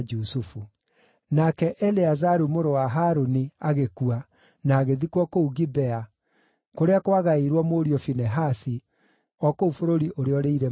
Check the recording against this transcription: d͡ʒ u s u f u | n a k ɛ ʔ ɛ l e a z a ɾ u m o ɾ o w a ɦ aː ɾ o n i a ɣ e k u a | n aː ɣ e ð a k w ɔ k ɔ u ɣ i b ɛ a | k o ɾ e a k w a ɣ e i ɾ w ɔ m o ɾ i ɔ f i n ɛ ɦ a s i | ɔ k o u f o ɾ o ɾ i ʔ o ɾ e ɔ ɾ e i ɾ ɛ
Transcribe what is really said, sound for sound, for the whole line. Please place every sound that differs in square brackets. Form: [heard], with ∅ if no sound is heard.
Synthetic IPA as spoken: d͡ʒ u s u f u | n a k ɛ ʔ ɛ l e a z a ɾ u m o ɾ o w a ɦ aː ɾ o n i a ɣ e k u a | n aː ɣ e ð [i] k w ɔ k [o] u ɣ i b ɛ a | k o ɾ e a k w a ɣ [a] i ɾ w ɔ m o ɾ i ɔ f i n ɛ ɦ a s i | ɔ k o u f o ɾ o ɾ i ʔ o ɾ e ɔ ɾ e i ɾ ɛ